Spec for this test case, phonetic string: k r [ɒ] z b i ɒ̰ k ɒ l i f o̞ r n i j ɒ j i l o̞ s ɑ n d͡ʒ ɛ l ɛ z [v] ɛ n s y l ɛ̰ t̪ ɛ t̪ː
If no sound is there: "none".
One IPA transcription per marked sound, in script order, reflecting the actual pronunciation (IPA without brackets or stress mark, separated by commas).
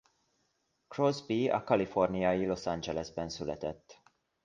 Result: o, b